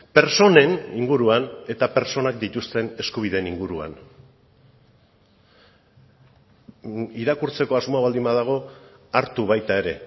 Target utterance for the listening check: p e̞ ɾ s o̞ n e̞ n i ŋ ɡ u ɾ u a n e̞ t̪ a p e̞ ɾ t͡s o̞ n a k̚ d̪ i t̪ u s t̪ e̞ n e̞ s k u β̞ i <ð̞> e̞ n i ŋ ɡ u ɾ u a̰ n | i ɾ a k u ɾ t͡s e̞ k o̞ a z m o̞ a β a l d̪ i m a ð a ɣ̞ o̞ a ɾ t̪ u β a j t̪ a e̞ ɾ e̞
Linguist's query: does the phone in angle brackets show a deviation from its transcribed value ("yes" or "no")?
no